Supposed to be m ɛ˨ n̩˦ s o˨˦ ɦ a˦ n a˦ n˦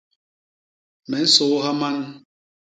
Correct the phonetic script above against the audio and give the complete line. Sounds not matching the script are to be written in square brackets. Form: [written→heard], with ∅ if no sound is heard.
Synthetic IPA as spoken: m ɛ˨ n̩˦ s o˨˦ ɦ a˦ [n→m] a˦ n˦